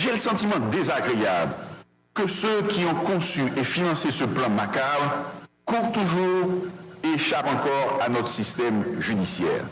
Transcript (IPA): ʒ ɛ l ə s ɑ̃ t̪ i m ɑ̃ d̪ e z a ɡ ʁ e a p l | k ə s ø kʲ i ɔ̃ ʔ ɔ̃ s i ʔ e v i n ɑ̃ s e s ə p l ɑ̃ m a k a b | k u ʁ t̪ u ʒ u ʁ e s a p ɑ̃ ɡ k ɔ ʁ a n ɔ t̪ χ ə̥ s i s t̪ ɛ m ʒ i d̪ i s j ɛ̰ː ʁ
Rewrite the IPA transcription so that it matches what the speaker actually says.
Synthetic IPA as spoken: ʒ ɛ l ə s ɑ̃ t̪ i m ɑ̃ d̪ e z a ɡ ʁ e a b l | k ə s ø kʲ i ɔ̃ k ɔ̃ s y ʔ e f i n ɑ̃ s e s ə p l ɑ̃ m a k a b | k u ʁ t̪ u ʒ u ʁ e ʃ a p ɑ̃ k ɔ ʁ a n ɔ t̪ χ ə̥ s i s t̪ ɛ m ʒ y d̪ i s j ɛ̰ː ʁ